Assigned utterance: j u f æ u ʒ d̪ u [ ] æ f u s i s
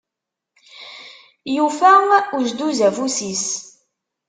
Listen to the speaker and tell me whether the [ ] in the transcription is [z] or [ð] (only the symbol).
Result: z